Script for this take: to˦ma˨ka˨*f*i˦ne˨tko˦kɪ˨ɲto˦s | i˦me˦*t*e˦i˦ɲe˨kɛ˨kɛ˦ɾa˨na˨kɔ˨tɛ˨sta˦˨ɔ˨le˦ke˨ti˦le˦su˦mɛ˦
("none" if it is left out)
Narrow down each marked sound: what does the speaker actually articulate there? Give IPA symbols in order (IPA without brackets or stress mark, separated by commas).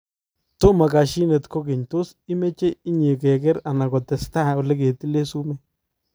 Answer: ʃ, t͡ʃ